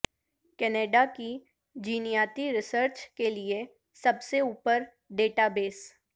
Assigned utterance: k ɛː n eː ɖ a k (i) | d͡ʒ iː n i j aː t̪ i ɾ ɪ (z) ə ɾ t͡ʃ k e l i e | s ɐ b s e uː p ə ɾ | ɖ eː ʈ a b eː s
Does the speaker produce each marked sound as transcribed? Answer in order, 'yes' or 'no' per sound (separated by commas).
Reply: yes, no